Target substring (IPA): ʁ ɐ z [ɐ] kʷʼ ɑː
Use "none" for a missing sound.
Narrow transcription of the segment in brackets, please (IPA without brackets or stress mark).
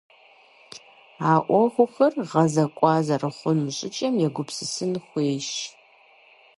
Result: ɐ